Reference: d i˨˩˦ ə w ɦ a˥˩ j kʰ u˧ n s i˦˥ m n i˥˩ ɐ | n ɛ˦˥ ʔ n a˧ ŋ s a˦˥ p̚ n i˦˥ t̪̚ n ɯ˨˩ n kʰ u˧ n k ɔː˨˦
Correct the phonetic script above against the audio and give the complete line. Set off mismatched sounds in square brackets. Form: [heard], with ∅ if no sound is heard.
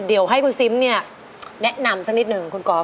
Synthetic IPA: d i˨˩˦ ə w ɦ a˥˩ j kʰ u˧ n s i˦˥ m n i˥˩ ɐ | n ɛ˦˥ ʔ n a˧ [m] s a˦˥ [k̚] n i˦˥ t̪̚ n ɯ˨˩ [ŋ] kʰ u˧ n k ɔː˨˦